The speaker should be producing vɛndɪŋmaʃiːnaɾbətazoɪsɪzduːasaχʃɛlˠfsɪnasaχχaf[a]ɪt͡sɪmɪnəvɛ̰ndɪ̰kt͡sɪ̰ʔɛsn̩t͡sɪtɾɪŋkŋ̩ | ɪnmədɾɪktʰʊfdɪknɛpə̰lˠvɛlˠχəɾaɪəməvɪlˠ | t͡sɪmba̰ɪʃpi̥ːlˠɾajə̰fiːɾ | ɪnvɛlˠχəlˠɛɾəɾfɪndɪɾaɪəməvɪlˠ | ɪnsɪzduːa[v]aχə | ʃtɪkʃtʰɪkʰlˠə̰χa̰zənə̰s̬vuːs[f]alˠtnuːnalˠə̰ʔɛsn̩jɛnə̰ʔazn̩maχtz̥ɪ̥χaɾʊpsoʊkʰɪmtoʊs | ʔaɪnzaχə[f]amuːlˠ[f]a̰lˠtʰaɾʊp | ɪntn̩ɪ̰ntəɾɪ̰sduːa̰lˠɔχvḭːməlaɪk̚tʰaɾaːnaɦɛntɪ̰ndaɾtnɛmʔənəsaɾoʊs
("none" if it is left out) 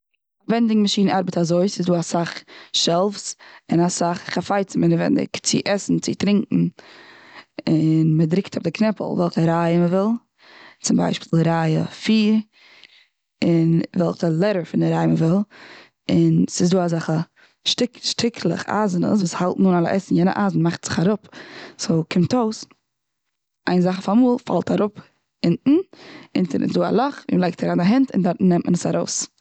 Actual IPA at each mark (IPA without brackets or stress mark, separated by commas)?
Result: a, z, h, f, f